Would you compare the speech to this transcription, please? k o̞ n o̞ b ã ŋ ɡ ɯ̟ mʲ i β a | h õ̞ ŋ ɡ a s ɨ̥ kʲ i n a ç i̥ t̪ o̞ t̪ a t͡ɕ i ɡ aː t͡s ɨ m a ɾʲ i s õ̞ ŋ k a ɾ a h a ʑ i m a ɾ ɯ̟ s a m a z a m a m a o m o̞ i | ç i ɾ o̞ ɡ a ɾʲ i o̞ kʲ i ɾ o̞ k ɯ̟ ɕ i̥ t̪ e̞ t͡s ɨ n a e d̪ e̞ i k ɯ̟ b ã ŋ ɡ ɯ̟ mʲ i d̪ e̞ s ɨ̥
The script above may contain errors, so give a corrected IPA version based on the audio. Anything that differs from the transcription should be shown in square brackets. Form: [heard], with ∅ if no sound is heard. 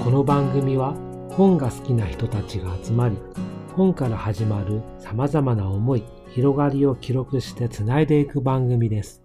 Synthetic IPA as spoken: k o̞ n o̞ b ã ŋ ɡ ɯ̟ mʲ i β a | h õ̞ ŋ ɡ a s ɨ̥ kʲ i n a ç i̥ t̪ o̞ t̪ a t͡ɕ i ɡ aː t͡s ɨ m a ɾʲ i [h] õ̞ ŋ k a ɾ a h a ʑ i m a ɾ ɯ̟ s a m a z a m a [n] a o m o̞ i | ç i ɾ o̞ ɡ a ɾʲ i o̞ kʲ i ɾ o̞ k ɯ̟ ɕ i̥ t̪ e̞ t͡s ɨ n a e d̪ e̞ i k ɯ̟ b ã ŋ ɡ ɯ̟ mʲ i d̪ e̞ s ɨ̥